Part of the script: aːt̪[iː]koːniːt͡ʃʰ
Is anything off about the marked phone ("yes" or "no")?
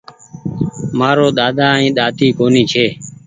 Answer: no